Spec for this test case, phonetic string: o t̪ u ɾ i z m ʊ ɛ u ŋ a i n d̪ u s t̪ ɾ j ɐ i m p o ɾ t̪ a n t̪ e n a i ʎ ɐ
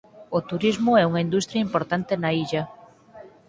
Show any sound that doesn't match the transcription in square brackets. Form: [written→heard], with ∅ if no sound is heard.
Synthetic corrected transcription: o t̪ u ɾ i z m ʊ ɛ u ŋ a i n d̪ u s t̪ ɾ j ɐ i m p o ɾ t̪ a n t̪ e n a i ʎ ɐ